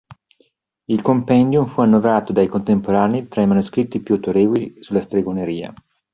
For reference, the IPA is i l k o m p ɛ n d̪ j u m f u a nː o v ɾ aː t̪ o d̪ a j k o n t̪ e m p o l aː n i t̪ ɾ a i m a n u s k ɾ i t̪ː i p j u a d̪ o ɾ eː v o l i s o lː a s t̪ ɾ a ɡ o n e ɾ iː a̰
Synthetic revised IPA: i l k o m p ɛ n d̪ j u m f u a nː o v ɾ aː t̪ o d̪ a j k o n t̪ e m p o ɾ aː n i t̪ ɾ a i m a n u s k ɾ i t̪ː i p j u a t̪ o ɾ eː v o l i s u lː a s t̪ ɾ e ɡ o n e ɾ iː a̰